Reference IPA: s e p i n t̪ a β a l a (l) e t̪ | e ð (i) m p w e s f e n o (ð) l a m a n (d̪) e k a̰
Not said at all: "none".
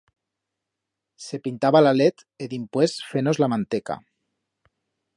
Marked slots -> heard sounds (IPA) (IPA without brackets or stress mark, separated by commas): l, i, z, t̪